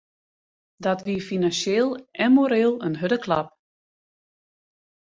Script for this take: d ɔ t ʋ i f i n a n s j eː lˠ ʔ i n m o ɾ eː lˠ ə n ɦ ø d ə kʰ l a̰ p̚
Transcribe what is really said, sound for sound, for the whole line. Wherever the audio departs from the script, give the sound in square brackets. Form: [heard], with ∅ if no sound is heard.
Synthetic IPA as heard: d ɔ t ʋ i f i n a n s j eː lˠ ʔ [ɛ] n m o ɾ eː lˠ ə n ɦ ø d ə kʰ l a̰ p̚